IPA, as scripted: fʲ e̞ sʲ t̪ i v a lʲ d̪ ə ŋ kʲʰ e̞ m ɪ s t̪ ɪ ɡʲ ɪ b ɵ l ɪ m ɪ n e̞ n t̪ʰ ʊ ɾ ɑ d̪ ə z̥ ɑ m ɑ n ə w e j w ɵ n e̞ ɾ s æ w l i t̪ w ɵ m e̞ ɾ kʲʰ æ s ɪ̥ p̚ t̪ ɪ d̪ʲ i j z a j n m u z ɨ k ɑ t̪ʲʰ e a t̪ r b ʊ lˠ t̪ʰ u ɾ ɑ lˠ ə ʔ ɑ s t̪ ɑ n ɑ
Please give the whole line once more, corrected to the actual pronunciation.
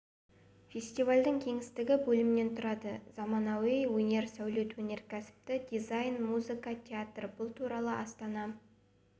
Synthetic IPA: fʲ e̞ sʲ t̪ i v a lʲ d̪ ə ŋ kʲʰ e̞ ŋ ɪ s t̪ ɪ ɡʲ ɪ b ɵ l ɪ m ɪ n e̞ n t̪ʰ ʊ ɾ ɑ d̪ ə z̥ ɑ m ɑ n ɑ w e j w ɵ n e̞ ɾ s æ w l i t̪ w ɵ n e̞ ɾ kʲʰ æ s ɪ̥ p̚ t̪ ɪ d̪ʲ i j z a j n m u z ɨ k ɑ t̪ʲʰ e a t̪ r b ʊ lˠ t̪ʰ u ɾ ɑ lˠ ə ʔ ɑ s t̪ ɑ n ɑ